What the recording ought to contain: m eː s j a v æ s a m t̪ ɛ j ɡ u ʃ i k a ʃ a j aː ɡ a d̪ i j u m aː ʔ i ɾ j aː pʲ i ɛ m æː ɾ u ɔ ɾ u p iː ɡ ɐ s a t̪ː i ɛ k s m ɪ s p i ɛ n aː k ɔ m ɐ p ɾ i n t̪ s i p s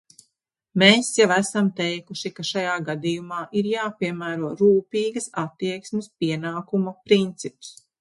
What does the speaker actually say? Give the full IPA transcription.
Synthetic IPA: m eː s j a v æ s a m t̪ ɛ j k u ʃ i k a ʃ a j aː ɡ a d̪ i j u m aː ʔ i ɾ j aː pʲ i ɛ m æː ɾ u ɔ ɾ uː p iː ɡ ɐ s a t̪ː i ɛ k s m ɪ s p i ɛ n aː k u m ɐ p ɾ i n t̪ s i p s